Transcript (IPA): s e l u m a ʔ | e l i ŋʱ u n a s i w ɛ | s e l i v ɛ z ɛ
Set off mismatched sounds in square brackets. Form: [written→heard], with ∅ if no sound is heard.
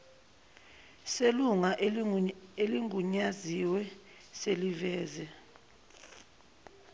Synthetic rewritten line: s e l u [m→ŋ] a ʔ | e l i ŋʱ u [n→ɲ] a [s→z] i w ɛ | s e l i v [ɛ→ɛː] z ɛ